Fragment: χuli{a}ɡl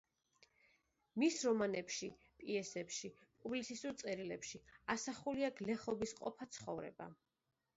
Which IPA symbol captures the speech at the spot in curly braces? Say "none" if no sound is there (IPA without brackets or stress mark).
a